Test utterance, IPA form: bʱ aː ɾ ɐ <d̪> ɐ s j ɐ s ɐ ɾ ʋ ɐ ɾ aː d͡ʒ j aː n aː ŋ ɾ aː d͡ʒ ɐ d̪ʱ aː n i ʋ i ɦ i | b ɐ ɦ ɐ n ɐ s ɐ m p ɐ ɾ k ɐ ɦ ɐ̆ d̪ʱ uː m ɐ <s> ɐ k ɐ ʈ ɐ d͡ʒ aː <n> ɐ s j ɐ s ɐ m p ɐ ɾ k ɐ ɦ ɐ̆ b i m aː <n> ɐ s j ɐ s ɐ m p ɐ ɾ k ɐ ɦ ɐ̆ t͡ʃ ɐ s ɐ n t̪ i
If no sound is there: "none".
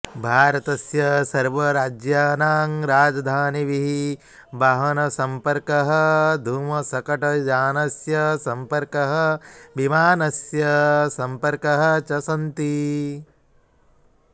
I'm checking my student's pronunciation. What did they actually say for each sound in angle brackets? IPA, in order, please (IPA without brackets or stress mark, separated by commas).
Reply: t̪, s, n, n